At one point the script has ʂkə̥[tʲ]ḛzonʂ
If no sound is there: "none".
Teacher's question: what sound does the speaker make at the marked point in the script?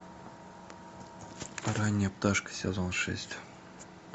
sʲ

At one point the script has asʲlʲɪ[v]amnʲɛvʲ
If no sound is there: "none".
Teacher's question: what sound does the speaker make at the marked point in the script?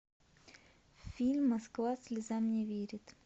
z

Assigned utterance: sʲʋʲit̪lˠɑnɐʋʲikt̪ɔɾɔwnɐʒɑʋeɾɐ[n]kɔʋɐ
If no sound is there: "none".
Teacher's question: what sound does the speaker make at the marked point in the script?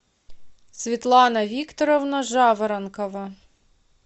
n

